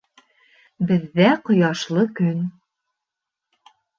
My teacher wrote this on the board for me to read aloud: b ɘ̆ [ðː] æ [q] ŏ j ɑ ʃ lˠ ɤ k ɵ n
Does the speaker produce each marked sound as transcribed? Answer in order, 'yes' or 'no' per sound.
yes, yes

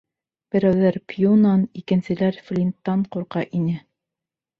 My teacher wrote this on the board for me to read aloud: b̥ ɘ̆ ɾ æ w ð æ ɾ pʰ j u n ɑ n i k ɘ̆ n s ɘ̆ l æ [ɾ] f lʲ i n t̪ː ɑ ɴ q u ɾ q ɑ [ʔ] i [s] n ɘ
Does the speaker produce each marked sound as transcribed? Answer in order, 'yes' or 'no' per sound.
yes, yes, no

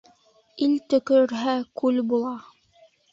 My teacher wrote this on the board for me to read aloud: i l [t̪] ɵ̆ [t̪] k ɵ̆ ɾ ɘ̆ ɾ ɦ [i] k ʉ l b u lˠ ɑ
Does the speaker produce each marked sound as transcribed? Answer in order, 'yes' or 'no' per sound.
yes, no, no

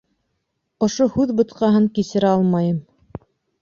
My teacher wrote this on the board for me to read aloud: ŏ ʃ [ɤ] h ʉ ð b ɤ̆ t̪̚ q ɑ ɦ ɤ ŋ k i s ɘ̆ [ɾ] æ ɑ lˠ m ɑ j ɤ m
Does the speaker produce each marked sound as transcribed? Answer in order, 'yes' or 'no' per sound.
no, yes

